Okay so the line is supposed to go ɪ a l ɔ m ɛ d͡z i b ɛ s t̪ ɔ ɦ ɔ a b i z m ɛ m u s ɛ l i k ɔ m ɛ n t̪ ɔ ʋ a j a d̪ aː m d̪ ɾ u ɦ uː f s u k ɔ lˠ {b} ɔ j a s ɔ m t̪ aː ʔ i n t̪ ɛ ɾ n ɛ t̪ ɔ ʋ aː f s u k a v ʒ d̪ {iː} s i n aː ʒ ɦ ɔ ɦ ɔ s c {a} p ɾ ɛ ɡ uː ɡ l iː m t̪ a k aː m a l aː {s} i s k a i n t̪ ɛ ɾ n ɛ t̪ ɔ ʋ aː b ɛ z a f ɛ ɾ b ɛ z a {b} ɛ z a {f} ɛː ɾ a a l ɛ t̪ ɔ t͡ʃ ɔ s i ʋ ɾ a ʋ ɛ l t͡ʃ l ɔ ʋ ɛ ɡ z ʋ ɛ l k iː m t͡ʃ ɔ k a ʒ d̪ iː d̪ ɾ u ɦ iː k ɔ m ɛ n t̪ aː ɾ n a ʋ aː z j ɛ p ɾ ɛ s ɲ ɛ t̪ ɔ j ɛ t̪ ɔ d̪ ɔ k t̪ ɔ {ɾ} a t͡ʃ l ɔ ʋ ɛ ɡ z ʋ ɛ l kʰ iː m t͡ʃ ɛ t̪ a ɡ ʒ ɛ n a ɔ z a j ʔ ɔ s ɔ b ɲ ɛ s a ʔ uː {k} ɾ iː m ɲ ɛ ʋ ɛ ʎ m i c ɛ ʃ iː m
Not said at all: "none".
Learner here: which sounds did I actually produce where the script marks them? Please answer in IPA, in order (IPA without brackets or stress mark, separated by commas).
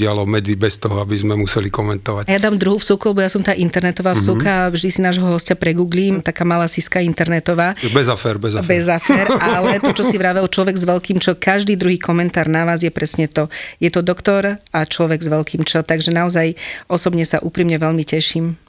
b, i, a, s, b, f, ɾ, p